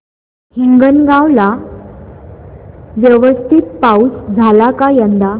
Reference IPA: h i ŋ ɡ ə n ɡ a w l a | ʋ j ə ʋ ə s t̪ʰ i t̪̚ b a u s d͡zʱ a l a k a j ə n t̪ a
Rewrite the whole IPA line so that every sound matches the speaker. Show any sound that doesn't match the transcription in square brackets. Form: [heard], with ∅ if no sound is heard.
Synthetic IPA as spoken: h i ŋ ɡ ə n ɡ a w l a | ʋ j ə ʋ ə s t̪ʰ i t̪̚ [p] a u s d͡zʱ a l a k a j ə n [d̪] a